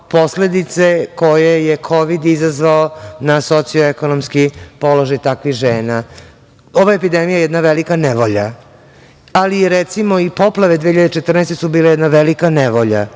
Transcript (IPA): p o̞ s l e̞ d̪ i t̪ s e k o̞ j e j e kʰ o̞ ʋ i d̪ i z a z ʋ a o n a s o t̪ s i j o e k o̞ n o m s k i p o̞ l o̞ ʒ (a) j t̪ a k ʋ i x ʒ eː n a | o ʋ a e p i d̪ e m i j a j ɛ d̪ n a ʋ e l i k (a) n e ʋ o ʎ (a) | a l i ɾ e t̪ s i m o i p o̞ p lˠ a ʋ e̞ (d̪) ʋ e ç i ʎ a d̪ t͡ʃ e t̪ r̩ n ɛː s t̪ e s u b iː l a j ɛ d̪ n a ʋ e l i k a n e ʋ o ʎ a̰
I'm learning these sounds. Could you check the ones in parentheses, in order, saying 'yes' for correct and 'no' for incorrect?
yes, yes, yes, yes

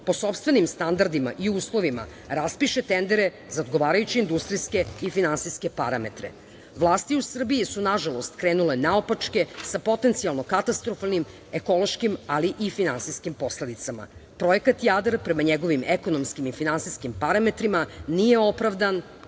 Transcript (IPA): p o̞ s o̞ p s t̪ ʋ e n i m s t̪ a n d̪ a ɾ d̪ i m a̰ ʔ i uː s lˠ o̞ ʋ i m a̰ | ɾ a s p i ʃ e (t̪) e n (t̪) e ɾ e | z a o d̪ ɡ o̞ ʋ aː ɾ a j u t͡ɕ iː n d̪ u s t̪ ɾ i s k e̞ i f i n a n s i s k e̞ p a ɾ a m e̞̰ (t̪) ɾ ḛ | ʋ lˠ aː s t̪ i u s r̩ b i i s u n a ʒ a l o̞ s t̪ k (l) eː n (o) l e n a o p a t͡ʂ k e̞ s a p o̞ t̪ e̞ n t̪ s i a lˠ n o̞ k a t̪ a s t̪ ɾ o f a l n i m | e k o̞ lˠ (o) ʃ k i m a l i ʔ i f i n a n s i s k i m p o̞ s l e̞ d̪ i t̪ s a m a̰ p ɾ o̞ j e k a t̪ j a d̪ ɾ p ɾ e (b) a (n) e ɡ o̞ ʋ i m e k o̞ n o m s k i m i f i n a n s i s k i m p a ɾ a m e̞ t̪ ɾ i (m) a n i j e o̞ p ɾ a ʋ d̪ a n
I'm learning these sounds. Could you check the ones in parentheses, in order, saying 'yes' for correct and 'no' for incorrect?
yes, no, yes, no, no, yes, no, no, yes

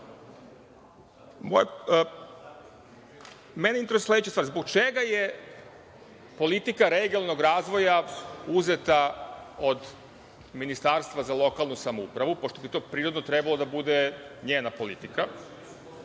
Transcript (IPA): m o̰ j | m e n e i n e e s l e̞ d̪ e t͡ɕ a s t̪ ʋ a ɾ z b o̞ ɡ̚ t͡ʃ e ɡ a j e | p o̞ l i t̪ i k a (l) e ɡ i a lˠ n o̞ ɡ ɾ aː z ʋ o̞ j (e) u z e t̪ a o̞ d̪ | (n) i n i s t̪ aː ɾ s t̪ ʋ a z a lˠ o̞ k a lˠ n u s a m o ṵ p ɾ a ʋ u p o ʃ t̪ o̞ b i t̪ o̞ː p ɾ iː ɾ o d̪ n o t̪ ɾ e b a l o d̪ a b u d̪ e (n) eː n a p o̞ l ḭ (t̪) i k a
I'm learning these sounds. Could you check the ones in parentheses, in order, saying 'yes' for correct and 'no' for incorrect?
no, no, no, no, yes

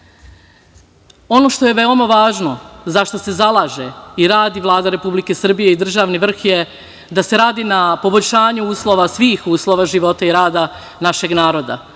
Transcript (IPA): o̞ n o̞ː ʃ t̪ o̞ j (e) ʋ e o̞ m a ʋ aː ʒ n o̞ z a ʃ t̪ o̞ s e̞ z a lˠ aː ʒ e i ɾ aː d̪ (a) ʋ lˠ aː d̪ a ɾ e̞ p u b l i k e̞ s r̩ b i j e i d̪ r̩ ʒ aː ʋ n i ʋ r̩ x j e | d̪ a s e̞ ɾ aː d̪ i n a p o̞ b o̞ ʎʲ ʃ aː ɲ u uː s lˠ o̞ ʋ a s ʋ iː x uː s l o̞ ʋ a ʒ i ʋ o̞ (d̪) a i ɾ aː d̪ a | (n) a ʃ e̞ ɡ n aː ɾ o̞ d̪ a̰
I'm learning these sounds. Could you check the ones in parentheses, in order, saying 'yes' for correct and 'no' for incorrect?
yes, no, no, yes

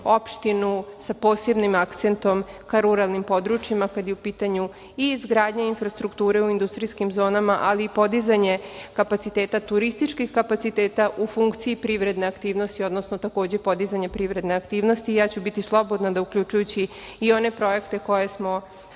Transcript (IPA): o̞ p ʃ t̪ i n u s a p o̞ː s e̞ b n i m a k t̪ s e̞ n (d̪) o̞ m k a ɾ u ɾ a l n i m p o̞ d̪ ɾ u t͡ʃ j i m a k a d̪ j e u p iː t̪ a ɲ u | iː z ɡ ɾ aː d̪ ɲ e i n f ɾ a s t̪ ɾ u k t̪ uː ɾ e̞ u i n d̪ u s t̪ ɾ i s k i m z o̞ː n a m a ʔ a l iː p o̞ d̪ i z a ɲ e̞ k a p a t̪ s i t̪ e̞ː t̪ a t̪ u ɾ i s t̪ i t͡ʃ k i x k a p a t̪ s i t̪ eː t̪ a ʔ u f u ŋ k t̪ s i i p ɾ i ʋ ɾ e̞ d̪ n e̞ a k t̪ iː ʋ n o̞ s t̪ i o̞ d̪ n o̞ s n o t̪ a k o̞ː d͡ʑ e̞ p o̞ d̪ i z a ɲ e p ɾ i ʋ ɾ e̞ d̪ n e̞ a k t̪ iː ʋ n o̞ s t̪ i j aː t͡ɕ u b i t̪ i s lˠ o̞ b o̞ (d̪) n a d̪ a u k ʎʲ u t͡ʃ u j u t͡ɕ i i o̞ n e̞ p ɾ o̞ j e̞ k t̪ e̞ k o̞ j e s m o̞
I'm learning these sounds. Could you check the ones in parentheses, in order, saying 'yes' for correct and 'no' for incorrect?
no, yes

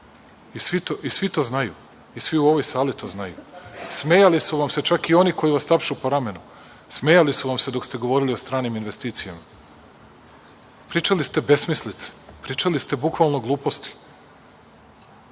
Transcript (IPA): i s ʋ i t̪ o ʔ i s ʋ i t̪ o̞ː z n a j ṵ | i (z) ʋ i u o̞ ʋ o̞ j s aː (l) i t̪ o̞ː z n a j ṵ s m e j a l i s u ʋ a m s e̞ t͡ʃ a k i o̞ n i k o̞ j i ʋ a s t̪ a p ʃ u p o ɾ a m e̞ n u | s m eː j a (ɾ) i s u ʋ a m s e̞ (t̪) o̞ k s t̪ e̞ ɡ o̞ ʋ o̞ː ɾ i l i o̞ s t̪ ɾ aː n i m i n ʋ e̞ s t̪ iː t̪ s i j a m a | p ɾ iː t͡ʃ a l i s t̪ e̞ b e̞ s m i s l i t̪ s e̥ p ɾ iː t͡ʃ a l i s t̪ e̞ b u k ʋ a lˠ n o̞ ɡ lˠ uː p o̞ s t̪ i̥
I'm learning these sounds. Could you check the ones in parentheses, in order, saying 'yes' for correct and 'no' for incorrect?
no, yes, no, no

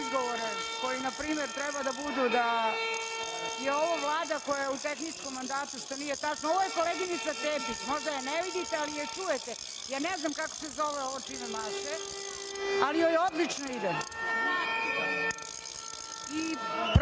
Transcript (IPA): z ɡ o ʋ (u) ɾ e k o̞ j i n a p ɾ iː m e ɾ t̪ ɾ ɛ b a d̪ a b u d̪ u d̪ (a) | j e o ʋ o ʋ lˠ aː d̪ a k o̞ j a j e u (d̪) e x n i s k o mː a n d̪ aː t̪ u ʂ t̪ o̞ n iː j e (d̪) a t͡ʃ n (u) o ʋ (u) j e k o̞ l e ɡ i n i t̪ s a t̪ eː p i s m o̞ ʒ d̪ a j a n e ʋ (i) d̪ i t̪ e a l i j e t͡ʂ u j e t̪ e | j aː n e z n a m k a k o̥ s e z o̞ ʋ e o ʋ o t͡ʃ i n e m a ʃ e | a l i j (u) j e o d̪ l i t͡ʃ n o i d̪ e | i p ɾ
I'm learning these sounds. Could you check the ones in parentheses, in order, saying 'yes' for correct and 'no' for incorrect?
no, yes, no, no, no, no, yes, no

